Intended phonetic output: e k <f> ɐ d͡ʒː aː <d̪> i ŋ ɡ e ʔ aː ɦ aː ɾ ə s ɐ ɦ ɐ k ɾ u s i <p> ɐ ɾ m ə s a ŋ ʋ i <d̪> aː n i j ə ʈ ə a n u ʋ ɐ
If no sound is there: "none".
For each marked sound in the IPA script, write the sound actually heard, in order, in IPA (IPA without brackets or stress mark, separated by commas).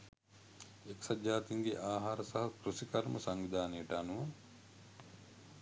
s, t̪, k, d̪